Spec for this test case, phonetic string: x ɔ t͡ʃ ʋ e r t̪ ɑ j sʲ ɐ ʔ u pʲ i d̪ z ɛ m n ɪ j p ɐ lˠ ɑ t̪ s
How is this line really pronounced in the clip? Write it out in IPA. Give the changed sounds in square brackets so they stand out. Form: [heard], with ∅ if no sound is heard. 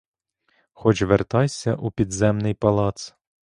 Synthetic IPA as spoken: x ɔ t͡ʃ ʋ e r t̪ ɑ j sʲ ɐ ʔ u pʲ i d̪ z ɛ m n ɪ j p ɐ lˠ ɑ t̪ s